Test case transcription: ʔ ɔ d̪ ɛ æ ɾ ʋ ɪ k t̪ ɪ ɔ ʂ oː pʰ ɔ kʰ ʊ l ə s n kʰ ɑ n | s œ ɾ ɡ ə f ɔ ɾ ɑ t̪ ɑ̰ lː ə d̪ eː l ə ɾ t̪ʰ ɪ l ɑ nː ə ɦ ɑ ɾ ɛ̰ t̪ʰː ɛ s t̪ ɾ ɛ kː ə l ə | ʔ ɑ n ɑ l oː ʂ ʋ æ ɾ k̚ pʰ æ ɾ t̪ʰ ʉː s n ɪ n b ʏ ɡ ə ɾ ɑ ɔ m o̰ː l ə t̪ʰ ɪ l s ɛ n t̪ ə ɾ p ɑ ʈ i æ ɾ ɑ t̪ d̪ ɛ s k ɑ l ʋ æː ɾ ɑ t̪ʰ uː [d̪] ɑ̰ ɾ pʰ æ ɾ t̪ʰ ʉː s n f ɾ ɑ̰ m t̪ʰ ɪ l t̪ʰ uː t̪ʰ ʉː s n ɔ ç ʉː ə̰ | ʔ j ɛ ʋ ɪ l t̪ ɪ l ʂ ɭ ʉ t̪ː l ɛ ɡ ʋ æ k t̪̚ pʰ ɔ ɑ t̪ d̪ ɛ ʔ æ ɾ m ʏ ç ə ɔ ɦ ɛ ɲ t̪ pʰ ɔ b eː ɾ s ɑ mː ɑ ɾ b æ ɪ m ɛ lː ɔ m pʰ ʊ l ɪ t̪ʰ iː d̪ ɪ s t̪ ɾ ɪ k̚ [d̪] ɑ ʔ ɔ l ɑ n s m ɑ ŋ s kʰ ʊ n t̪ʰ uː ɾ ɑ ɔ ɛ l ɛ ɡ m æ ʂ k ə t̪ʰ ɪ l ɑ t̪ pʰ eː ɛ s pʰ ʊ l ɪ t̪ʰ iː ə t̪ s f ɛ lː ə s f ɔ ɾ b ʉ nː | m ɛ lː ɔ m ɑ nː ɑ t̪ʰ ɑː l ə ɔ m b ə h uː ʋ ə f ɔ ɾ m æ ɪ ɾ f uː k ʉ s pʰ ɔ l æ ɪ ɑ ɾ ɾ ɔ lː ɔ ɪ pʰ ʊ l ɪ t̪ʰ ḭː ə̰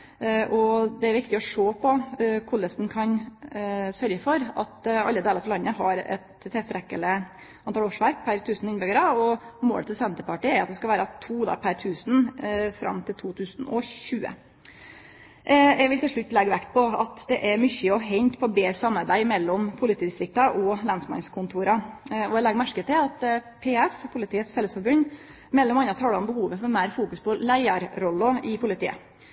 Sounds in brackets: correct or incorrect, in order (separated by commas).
correct, incorrect